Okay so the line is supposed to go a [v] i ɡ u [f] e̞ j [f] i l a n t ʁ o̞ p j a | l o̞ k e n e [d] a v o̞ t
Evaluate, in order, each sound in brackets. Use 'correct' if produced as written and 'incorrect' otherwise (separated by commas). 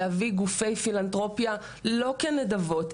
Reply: correct, correct, correct, correct